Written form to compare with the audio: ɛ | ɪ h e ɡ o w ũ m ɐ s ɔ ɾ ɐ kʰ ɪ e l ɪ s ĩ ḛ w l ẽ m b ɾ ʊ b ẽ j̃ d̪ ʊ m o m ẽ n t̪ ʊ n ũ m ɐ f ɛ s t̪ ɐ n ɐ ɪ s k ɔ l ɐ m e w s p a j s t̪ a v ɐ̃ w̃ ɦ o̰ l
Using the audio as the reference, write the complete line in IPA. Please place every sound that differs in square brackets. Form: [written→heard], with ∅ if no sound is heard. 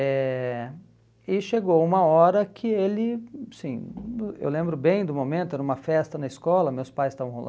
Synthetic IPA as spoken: ɛ | ɪ [h→ʃ] e ɡ o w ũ m ɐ [s→∅] ɔ ɾ ɐ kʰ ɪ e l ɪ s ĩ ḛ w l ẽ m b ɾ ʊ b ẽ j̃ d̪ ʊ m o m ẽ n t̪ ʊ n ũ m ɐ f ɛ s t̪ ɐ n ɐ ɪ s k ɔ l ɐ m e w s p a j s t̪ a v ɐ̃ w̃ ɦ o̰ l